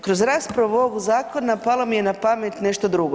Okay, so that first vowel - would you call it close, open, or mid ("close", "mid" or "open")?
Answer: mid